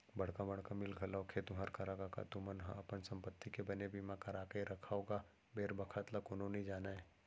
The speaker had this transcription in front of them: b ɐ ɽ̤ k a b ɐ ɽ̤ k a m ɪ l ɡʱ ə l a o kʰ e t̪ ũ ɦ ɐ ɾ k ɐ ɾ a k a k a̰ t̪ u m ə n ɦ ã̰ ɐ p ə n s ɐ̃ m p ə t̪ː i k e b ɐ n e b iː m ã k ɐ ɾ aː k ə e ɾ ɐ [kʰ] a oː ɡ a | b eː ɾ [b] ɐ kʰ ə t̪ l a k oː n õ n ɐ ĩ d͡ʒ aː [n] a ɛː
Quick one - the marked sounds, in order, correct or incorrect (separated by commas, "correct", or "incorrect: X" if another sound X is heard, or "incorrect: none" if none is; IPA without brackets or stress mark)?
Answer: correct, correct, correct